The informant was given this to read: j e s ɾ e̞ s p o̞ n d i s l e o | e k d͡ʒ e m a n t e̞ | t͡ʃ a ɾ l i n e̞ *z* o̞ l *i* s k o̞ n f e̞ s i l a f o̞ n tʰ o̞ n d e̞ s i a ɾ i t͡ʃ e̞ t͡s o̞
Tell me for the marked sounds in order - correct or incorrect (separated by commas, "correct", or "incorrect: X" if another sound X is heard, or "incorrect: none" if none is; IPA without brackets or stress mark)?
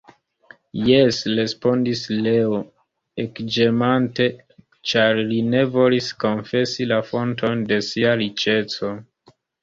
incorrect: v, correct